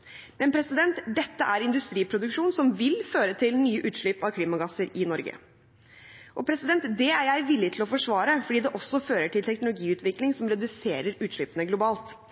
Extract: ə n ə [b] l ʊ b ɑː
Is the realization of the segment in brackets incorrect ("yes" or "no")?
yes